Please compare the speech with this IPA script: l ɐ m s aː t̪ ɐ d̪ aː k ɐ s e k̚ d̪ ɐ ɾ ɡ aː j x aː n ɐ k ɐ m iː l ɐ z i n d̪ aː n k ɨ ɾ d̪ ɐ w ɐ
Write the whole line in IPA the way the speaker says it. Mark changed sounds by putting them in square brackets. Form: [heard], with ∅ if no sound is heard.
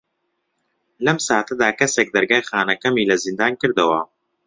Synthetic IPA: l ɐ m s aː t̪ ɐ d̪ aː k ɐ s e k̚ d̪ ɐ ɾ ɡ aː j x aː n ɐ k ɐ m iː l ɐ z i n d̪ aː n k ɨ ɾ d̪ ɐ w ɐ